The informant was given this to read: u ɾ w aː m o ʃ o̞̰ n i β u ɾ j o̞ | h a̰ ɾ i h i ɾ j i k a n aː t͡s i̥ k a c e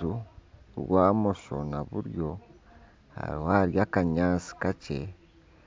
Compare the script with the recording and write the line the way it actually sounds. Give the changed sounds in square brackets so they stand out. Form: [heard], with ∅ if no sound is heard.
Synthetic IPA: u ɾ w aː m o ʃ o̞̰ n [a] β u ɾ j o̞ | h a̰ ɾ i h [a] ɾ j [a] k a [ɲ] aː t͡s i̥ k a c e